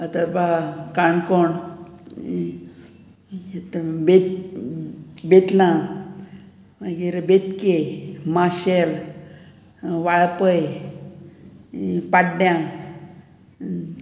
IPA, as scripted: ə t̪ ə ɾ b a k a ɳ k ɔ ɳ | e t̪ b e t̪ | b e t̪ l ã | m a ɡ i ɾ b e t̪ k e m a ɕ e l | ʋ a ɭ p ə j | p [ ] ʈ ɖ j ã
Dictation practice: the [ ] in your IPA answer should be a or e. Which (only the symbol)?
a